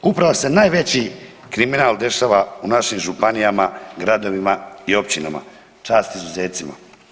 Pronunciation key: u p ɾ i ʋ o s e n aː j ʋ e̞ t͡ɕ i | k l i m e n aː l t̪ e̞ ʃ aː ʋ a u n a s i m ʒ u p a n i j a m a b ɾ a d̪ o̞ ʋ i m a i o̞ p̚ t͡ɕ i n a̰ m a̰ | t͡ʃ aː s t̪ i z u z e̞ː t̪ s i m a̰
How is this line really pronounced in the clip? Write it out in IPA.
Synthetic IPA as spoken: u p ɾ a ʋ o s e n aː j ʋ e̞ t͡ɕ i | k ɾ i m i n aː l d̪ e̞ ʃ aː ʋ a u n a ʃ i m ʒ u p a n i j a m a ɡ ɾ a d̪ o̞ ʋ i m a i o̞ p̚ t͡ɕ i n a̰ m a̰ | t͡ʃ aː s t̪ i z u z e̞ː t̪ s i m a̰